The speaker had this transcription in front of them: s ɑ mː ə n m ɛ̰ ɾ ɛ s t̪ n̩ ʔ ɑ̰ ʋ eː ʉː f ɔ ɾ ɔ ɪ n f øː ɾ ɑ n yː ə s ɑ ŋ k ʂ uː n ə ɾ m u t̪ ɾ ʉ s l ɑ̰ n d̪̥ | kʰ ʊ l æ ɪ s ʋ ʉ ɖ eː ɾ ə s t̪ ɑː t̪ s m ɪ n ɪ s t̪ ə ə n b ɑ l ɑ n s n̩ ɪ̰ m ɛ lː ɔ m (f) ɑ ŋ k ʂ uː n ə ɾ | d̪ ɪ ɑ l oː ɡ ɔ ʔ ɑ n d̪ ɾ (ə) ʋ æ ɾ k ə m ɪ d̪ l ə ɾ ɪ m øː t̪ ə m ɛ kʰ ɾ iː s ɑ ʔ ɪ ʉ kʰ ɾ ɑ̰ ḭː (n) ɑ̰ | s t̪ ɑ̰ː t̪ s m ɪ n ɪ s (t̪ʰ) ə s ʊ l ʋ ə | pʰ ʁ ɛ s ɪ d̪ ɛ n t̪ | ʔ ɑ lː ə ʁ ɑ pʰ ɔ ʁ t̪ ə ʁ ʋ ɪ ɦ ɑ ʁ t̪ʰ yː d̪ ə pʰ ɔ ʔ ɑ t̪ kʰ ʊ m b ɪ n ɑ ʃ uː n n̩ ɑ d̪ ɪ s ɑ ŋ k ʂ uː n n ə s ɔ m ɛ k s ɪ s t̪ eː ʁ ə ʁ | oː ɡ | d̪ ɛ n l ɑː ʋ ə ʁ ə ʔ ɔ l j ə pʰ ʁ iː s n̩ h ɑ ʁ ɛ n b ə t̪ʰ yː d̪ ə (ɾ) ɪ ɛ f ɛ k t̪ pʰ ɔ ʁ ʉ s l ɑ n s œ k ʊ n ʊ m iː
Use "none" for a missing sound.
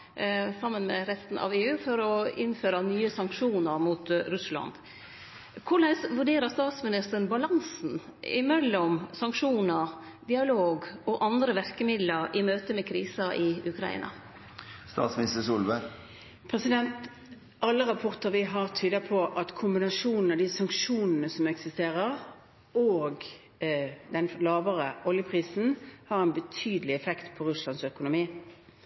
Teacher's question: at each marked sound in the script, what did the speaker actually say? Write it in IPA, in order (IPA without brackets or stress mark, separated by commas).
s, ə, n, t̪, l